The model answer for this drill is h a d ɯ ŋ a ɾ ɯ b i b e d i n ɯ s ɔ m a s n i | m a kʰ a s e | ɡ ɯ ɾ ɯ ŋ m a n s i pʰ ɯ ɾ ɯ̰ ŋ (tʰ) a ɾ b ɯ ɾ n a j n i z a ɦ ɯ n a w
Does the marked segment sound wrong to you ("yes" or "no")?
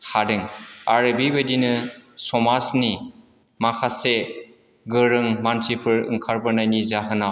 yes